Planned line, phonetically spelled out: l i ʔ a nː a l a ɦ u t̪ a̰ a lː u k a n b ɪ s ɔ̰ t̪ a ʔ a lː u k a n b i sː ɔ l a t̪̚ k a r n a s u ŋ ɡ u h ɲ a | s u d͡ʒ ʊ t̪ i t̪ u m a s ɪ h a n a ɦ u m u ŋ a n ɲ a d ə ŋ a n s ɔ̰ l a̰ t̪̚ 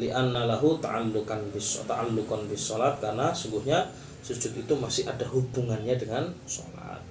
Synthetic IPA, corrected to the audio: l i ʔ a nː a l a ɦ u t̪ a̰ a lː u k a n b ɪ s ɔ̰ t̪ a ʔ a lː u k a n b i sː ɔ l a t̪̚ k a r n a s u ŋ ɡ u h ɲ a | s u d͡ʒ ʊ t̪ i t̪ u m a s ɪ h a d a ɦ u b u ŋ a n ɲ a d ə ŋ a n s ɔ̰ l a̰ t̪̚